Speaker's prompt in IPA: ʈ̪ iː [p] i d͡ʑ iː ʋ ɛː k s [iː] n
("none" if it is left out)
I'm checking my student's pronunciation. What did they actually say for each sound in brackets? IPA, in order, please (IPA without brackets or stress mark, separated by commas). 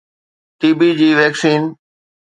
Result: b, iː